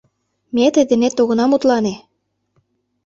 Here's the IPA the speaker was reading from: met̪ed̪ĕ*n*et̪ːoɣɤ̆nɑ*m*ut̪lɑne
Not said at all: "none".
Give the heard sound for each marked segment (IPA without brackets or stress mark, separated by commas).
n, m